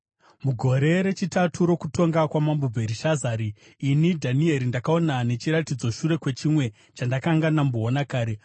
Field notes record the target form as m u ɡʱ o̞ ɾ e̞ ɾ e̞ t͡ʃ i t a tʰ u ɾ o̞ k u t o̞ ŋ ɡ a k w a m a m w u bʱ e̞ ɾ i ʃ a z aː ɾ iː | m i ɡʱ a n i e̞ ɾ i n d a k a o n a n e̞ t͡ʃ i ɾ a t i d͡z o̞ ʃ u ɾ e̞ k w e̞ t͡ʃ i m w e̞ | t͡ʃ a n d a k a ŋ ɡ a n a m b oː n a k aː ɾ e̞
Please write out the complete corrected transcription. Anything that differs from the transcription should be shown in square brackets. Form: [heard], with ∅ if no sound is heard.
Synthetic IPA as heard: m u ɡʱ o̞ ɾ e̞ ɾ e̞ t͡ʃ i t a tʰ u ɾ o̞ k u t o̞ ŋ ɡ a k w a m a m [b] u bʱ e̞ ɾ i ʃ a z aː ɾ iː | [n] i [dʱ] a n i e̞ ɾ i n d a k a o n a n e̞ t͡ʃ i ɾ a t i d͡z o̞ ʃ u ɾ e̞ k w e̞ t͡ʃ i m w e̞ | t͡ʃ a n d a k a ŋ ɡ a n a m b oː n a k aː ɾ e̞